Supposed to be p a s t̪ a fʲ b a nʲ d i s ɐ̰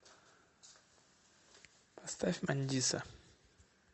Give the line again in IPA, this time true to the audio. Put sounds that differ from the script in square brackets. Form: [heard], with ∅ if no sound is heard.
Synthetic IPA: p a s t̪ a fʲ [m] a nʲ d i s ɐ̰